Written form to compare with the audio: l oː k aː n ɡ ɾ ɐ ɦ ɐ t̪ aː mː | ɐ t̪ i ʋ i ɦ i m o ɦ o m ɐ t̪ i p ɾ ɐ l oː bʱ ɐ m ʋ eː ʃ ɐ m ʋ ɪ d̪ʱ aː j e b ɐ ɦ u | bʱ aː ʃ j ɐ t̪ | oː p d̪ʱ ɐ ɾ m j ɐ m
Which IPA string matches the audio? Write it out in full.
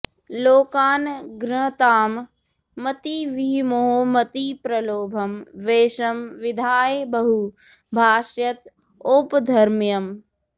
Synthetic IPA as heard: l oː k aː n ɡ ɾ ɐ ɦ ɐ t̪ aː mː | ɐ t̪ i ʋ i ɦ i m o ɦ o m ɐ t̪ i p ɾ ɐ l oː bʱ ɐ m ʋ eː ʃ ɐ m ʋ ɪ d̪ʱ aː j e b ɐ ɦ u | bʱ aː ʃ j ɐ t̪ | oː p d̪ʱ ɐ ɾ m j ɐ m